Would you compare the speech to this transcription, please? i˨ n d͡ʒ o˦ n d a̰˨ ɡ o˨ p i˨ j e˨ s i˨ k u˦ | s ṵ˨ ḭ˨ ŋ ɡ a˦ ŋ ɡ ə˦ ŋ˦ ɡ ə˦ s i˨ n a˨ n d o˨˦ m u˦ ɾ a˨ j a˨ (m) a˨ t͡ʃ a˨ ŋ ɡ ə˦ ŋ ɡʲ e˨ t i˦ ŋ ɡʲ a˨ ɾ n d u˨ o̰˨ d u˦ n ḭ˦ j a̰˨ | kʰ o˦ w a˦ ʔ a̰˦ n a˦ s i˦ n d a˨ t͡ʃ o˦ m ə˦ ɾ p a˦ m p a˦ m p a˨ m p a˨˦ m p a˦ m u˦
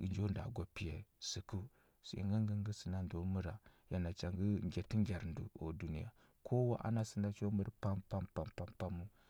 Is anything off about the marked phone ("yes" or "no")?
yes